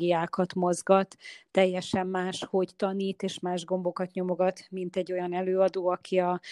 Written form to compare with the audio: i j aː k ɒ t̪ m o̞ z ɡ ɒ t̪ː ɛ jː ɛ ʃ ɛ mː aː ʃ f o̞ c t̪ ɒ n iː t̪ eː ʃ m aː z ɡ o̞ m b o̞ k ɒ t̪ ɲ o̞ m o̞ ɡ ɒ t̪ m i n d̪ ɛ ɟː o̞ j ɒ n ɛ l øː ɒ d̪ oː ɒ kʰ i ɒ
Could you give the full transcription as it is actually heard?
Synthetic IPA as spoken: i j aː k ɒ t̪ m o̞ z ɡ ɒ t̪ː ɛ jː ɛ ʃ ɛ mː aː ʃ h o̞ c t̪ ɒ n iː t̪ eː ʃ m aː ʒ ɡ o̞ m b o̞ k ɒ t̪ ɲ o̞ m o̞ ɡ ɒ t̪ m i n t̪ ɛ ɟː o̞ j ɒ n ɛ l øː ɒ d̪ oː ɒ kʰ i ɒ